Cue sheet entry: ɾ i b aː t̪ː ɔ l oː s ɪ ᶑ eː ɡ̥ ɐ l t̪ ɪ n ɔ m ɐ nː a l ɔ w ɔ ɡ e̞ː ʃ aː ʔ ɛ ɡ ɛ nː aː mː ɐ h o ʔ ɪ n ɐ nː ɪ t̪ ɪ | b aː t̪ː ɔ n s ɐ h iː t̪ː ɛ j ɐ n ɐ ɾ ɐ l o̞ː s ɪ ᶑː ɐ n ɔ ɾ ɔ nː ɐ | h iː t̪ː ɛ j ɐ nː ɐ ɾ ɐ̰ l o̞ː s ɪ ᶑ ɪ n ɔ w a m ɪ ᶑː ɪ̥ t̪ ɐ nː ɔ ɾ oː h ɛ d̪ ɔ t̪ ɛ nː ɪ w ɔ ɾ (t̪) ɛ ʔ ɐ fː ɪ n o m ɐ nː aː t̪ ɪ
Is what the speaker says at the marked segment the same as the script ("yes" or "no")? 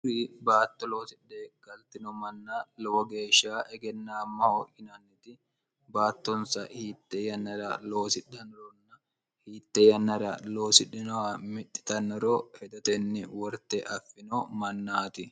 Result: yes